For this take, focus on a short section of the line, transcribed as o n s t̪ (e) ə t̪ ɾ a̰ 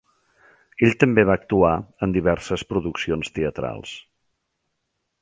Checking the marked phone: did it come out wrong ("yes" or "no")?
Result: no